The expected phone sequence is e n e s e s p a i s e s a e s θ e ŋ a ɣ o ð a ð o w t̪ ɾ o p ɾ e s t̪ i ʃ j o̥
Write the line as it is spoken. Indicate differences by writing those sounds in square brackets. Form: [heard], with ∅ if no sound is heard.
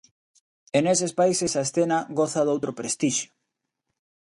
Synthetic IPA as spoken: e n e s e s p a i s e s a e s θ e [n] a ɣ o [θ] a ð o w t̪ ɾ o p ɾ e s t̪ i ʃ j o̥